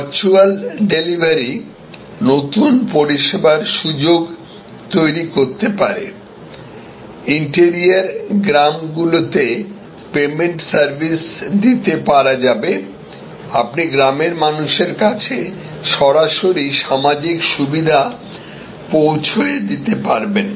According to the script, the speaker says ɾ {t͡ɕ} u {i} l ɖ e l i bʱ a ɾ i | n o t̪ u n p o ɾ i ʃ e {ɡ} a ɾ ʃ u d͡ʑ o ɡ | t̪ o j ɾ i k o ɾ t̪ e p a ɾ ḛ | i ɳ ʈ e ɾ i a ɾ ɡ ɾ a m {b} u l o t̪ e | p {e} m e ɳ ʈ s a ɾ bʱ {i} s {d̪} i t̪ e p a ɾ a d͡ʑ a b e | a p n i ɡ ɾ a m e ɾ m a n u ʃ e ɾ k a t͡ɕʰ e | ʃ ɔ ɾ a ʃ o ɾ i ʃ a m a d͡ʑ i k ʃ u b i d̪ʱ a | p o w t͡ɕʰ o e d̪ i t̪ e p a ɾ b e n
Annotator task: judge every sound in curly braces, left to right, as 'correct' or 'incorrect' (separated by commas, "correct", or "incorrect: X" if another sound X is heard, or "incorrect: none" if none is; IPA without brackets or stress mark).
correct, incorrect: a, incorrect: b, incorrect: ɡ, correct, correct, correct